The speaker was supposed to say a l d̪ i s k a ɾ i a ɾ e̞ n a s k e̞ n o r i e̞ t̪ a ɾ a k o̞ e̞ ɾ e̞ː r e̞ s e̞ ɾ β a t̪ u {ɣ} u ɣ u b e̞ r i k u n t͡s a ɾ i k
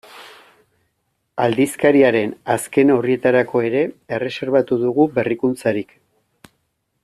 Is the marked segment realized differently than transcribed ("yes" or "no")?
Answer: yes